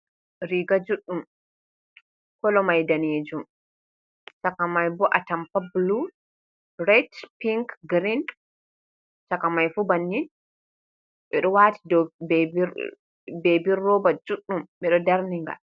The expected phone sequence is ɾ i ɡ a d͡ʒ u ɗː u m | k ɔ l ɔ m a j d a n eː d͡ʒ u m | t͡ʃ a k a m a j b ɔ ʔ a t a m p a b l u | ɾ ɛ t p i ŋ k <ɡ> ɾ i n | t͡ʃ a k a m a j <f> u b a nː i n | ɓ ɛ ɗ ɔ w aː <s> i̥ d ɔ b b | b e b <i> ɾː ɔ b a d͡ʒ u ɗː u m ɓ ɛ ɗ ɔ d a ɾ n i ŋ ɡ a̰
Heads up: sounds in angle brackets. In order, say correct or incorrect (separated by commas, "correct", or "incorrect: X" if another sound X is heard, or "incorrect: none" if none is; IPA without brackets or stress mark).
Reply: correct, correct, incorrect: t, correct